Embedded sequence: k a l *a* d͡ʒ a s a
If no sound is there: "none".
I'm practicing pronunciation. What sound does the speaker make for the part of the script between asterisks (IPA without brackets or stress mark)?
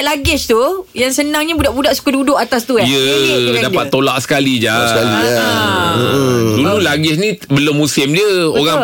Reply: i